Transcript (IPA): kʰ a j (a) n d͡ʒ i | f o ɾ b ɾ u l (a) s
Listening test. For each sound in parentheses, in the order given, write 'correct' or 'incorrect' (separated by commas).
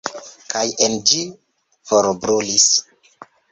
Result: incorrect, incorrect